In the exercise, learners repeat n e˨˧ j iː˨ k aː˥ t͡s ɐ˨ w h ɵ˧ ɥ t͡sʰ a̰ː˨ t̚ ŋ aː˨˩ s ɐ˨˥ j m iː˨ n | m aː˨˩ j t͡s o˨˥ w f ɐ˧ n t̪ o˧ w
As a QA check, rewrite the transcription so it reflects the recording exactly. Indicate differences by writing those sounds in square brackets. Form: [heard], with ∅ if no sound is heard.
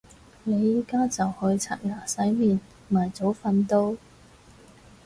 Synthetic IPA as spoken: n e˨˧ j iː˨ k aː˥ t͡s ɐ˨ w h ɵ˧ ɥ t͡sʰ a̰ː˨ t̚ ŋ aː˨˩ s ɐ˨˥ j m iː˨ n | m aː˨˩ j t͡s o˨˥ w f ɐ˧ n t̪ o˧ w